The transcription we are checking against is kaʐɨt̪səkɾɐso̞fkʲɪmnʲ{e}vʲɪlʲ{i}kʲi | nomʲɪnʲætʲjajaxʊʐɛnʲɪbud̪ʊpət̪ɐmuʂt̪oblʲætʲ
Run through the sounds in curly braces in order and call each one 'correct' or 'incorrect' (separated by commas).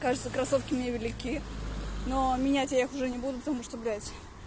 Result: correct, incorrect